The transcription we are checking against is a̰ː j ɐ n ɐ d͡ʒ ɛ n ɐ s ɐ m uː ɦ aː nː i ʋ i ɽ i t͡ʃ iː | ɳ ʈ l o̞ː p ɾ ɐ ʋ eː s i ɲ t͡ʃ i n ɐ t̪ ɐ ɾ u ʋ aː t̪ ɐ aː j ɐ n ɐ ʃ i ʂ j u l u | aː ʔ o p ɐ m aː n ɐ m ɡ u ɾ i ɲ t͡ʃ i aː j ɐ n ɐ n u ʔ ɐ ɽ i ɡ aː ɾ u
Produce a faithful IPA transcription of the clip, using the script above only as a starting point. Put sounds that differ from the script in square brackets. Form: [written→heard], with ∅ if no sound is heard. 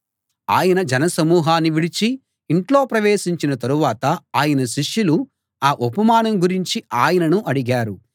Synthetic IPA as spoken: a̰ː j ɐ n ɐ d͡ʒ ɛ n ɐ s ɐ m uː ɦ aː nː i ʋ i ɽ i t͡ʃ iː | ɳ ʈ l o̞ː p ɾ ɐ ʋ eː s i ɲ t͡ʃ i n ɐ t̪ ɐ ɾ u ʋ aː t̪ ɐ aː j ɐ n ɐ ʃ i ʂ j u l u | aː ʔ o p ɐ m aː n ɐ m ɡ u ɾ i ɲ t͡ʃ i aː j ɐ n ɐ n u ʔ ɐ ɽ i ɡ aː ɾ u

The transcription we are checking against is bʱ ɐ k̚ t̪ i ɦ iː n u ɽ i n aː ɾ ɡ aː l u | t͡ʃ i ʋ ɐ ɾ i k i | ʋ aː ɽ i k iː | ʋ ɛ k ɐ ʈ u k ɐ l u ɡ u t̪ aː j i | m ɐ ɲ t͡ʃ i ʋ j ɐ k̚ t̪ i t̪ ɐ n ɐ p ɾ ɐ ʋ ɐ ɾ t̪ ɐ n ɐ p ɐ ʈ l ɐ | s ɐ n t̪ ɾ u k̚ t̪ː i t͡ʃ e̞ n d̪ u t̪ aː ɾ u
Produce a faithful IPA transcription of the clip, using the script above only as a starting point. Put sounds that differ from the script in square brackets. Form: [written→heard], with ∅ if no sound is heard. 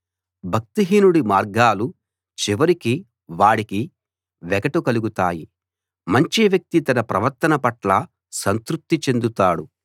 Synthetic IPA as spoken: bʱ ɐ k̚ t̪ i ɦ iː n u ɽ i [n→m] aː ɾ ɡ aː l u | t͡ʃ i ʋ ɐ ɾ i k i | ʋ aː ɽ i k [iː→i] | ʋ ɛ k ɐ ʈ u k ɐ l u ɡ u t̪ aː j i | m ɐ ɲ t͡ʃ i ʋ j ɐ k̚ t̪ i t̪ ɐ n ɐ p ɾ ɐ ʋ ɐ ɾ t̪ ɐ n ɐ p ɐ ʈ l ɐ | s ɐ n t̪ ɾ u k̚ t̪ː i t͡ʃ e̞ n d̪ u t̪ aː [ɾ→ɽ] u

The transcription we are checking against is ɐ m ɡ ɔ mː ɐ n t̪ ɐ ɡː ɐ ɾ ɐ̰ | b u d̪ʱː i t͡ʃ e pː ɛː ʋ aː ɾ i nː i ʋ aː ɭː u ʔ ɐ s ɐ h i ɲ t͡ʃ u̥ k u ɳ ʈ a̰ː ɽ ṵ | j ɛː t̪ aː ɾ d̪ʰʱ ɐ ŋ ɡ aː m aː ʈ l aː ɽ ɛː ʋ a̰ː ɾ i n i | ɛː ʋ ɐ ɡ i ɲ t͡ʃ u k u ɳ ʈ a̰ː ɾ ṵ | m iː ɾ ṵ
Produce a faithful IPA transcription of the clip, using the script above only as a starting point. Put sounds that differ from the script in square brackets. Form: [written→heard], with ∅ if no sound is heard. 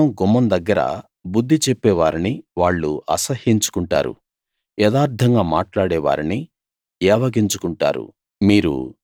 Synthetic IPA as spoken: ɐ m ɡ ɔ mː ɐ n [t̪→d̪] ɐ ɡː ɐ ɾ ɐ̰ | b u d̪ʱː i t͡ʃ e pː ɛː ʋ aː ɾ i [nː→n] i ʋ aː ɭː u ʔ ɐ s ɐ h i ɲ t͡ʃ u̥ k u ɳ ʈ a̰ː [ɽ→ɾ] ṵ | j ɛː [t̪→d̪] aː ɾ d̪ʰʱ ɐ ŋ ɡ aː m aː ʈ l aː ɽ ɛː ʋ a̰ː ɾ i n i | ɛː ʋ ɐ ɡ i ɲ t͡ʃ u k u ɳ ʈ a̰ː ɾ ṵ | m iː ɾ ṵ

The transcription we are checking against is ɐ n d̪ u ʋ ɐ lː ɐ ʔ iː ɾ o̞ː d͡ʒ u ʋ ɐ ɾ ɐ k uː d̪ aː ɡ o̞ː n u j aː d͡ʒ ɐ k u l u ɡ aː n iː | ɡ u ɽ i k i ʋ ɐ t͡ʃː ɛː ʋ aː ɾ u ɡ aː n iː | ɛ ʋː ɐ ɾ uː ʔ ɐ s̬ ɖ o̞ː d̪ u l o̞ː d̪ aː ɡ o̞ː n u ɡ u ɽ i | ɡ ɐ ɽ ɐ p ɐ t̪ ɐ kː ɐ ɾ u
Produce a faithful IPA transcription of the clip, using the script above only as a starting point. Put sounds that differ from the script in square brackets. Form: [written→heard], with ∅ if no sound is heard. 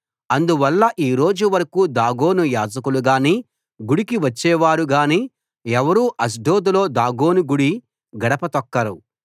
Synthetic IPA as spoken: ɐ n d̪ u ʋ ɐ lː ɐ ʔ iː ɾ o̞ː d͡ʒ u ʋ ɐ ɾ ɐ k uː d̪ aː ɡ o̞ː n u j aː d͡ʒ ɐ k u l u ɡ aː n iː | ɡ u ɽ i k i ʋ ɐ t͡ʃː ɛː ʋ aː ɾ u ɡ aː n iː | ɛ [ʋː→ʋ] ɐ ɾ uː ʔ ɐ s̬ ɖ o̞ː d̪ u l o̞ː d̪ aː ɡ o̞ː n u ɡ u ɽ i | ɡ ɐ ɽ ɐ p ɐ t̪ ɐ kː ɐ ɾ u

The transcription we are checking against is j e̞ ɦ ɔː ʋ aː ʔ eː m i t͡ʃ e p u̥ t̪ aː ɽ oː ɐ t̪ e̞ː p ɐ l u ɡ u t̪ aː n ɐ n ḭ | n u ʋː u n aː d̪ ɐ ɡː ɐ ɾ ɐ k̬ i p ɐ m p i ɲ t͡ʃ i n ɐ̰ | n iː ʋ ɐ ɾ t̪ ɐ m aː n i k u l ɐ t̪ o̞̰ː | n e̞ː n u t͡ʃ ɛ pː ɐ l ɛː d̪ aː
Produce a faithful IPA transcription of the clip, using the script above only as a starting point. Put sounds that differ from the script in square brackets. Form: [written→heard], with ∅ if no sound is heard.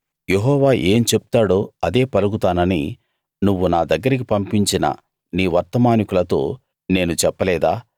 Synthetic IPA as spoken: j e̞ ɦ ɔː ʋ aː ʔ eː m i t͡ʃ e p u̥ t̪ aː ɽ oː ɐ [t̪→d̪] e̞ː p ɐ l u ɡ u t̪ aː n ɐ n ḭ | n u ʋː u n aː d̪ ɐ ɡː ɐ ɾ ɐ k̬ i p ɐ m p i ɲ t͡ʃ i n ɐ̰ | n iː ʋ ɐ ɾ t̪ ɐ m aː n i k u l ɐ t̪ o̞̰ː | n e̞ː n u t͡ʃ ɛ pː ɐ l ɛː d̪ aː

